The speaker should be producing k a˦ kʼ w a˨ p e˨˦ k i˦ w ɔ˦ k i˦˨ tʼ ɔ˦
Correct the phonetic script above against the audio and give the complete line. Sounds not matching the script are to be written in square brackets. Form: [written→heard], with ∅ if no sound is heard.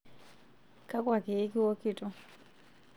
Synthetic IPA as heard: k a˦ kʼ w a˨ [p→k] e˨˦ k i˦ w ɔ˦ k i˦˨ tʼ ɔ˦